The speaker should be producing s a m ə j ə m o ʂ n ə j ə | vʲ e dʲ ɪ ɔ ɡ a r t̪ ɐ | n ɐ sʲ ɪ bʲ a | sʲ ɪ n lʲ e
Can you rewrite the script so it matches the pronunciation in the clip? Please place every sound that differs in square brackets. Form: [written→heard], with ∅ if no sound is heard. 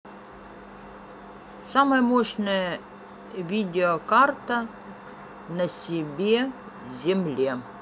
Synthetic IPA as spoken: s a m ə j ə m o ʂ n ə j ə | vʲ [e→i] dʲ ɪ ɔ [ɡ→k] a r t̪ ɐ | n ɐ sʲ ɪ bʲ [a→e] | [sʲ→zʲ] ɪ [n→m] lʲ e